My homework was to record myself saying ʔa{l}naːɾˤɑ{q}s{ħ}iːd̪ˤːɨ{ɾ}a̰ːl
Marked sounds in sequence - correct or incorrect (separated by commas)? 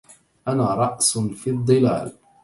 incorrect, incorrect, incorrect, incorrect